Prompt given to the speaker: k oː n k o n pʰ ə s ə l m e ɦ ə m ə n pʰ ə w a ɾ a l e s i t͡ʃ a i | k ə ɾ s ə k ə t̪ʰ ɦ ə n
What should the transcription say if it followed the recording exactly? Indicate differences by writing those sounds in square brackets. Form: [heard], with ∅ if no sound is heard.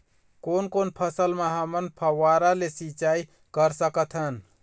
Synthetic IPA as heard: k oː n k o n pʰ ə s ə l m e ɦ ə m ə n pʰ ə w a ɾ a l e s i t͡ʃ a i | k ə ɾ s ə k ə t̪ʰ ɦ ə n